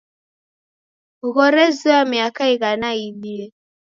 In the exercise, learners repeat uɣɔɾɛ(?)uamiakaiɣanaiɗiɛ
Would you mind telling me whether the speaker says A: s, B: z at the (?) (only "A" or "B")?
B